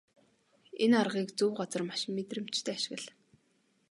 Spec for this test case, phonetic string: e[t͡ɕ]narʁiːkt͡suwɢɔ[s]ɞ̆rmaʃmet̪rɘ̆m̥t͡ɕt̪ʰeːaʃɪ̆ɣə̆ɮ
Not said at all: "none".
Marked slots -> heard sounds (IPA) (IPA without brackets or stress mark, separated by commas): none, t͡s